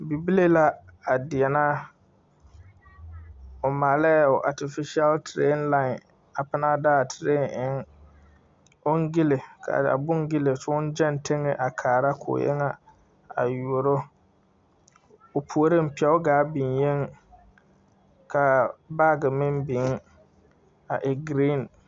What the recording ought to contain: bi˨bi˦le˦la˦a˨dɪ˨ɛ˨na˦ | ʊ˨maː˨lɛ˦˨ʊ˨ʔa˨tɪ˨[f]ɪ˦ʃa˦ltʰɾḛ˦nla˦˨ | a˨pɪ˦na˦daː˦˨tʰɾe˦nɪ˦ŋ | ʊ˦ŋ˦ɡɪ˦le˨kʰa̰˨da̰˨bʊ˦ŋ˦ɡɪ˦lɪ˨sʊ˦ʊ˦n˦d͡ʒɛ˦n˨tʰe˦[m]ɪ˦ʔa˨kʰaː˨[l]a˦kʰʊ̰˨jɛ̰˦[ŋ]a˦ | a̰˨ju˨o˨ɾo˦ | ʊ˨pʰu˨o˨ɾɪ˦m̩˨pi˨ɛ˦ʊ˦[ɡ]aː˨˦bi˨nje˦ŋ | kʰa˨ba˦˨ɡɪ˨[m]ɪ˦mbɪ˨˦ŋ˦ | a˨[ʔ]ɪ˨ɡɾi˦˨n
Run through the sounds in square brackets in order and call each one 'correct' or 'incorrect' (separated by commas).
correct, incorrect, incorrect, correct, correct, correct, correct